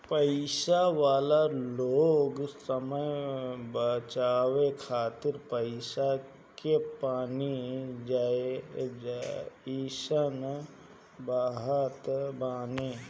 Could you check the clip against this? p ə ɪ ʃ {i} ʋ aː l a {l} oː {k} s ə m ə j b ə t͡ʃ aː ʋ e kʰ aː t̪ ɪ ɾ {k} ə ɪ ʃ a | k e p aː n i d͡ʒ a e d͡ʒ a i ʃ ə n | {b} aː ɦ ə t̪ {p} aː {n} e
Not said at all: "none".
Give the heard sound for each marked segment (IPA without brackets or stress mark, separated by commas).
a, l, ɡ, p, b, b, n